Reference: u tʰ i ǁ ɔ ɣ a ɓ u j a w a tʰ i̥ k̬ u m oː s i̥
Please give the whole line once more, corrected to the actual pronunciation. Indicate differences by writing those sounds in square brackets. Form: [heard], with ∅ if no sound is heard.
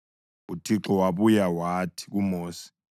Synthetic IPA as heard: u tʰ i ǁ ɔ [w] a ɓ u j a w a tʰ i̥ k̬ u m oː s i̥

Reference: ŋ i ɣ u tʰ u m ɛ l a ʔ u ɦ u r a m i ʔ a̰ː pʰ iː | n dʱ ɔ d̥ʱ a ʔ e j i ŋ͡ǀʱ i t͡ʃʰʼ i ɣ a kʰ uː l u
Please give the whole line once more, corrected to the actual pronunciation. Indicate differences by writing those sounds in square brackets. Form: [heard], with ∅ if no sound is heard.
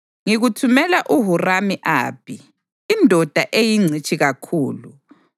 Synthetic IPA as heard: ŋ i ɣ u tʰ u m ɛ l a ʔ u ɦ u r a m i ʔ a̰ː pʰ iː | n dʱ ɔ d̥ʱ a ʔ e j i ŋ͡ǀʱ i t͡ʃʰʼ i ɣ a kʰ uː l u

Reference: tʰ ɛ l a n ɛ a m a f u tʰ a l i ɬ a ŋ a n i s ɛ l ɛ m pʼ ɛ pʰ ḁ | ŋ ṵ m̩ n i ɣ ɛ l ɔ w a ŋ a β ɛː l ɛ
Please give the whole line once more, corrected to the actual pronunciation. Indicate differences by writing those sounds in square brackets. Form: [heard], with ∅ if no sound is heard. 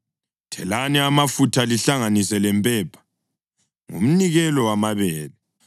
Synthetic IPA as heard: tʰ ɛ l a n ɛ a m a f u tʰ a l i ɬ a ŋ a n i s ɛ l ɛ m pʼ ɛ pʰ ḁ | ŋ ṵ m̩ n i ɣ ɛ l ɔ w a [m] a β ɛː l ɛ

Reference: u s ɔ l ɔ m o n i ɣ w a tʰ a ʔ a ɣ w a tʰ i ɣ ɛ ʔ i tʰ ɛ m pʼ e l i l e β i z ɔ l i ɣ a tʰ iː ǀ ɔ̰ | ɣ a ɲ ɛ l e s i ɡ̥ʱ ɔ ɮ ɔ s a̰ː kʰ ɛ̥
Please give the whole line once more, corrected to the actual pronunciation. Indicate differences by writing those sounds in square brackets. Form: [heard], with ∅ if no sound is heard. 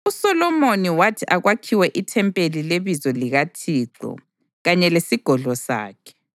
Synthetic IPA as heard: u s ɔ l ɔ m o n i [∅] w a tʰ [i] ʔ a ɣ w a [kʰ] i [w] ɛ ʔ i tʰ ɛ m pʼ e l i l e β i z ɔ l i ɣ a tʰ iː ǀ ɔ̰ | ɣ a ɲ ɛ l e s i ɡ̥ʱ ɔ ɮ ɔ s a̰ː kʰ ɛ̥

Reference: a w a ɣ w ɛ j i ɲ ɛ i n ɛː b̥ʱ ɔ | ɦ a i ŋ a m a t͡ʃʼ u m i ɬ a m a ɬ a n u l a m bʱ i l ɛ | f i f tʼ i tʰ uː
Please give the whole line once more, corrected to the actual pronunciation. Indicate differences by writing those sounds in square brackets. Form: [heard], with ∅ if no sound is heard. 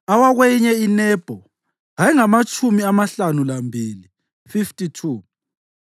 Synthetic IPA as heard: a w a ɣ w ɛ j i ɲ ɛ i n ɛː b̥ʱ ɔ | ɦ a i ŋ a m a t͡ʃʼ u m i [∅] a m a ɬ a n u l a m bʱ i l [i] | f i f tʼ i tʰ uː

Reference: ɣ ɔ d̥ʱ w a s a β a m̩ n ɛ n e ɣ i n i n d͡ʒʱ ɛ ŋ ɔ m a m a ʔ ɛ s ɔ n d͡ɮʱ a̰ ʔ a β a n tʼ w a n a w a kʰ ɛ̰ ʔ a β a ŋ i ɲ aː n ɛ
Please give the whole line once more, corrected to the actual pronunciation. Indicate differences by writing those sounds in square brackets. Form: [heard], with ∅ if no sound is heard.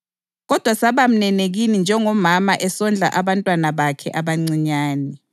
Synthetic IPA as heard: ɣ ɔ d̥ʱ w a s a β a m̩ n ɛ n e ɣ i n i n d͡ʒʱ ɛ ŋ ɔ m a m a ʔ ɛ s ɔ n d͡ɮʱ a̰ ʔ a β a n tʼ w a n a [β] a kʰ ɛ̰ ʔ a β a [ŋ͡ǀ] i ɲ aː n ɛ

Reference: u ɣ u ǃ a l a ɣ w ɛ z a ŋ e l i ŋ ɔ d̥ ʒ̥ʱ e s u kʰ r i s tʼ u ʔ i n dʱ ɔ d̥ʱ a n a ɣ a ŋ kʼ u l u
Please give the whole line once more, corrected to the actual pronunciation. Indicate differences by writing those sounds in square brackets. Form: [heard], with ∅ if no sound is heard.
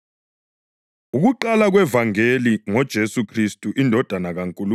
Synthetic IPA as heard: u ɣ u ǃ a l a ɣ w ɛ [v] a ŋ e l i ŋ ɔ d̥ ʒ̥ʱ e s u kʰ r i s tʼ u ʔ i n dʱ ɔ d̥ʱ a n a ɣ a ŋ kʼ u l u

